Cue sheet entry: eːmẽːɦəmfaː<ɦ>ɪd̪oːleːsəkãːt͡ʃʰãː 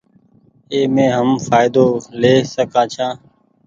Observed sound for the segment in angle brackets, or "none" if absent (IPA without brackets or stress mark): none